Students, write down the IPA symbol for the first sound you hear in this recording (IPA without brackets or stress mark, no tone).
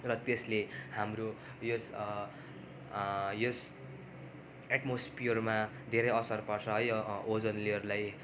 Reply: r